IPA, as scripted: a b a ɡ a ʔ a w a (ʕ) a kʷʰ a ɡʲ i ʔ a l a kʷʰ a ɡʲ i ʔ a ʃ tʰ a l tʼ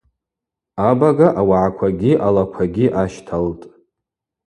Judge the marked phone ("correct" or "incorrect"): correct